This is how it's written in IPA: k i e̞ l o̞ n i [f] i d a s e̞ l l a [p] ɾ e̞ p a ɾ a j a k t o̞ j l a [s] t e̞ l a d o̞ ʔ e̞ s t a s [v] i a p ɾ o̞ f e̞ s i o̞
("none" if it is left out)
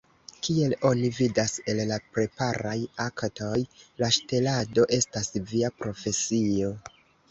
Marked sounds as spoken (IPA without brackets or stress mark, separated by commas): v, p, ʃ, v